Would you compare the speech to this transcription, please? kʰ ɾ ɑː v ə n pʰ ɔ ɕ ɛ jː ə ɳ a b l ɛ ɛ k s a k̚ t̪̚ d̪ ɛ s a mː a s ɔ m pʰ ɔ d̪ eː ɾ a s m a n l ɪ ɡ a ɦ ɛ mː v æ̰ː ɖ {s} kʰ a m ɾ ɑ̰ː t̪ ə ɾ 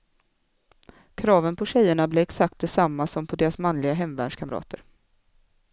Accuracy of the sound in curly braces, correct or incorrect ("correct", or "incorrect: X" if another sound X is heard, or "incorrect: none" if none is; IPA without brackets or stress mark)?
incorrect: ʂ